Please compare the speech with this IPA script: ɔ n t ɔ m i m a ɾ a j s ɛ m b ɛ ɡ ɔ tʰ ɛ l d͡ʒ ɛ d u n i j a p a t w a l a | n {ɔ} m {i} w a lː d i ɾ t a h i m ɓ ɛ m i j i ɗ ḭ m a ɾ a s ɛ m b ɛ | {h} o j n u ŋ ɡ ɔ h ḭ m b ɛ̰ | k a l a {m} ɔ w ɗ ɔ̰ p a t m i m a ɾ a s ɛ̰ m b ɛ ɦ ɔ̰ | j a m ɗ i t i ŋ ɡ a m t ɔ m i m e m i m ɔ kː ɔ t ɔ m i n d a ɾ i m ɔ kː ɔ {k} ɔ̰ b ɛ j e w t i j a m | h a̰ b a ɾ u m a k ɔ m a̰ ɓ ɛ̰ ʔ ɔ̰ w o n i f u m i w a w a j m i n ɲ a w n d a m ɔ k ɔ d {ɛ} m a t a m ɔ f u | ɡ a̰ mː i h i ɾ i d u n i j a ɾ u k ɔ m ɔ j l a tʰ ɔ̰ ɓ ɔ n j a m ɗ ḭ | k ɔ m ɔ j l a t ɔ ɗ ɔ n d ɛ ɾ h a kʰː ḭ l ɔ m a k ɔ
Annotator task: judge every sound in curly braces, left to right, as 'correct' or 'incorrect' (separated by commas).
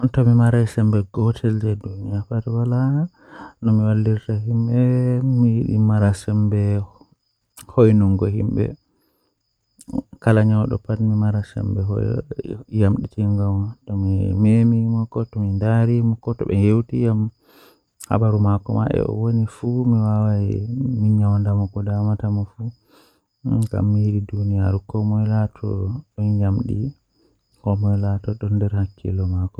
correct, correct, correct, incorrect, incorrect, incorrect